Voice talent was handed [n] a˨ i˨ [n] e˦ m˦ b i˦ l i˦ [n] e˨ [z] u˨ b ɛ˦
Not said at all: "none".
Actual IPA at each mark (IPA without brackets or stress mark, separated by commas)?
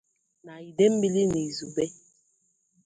n, d, n, z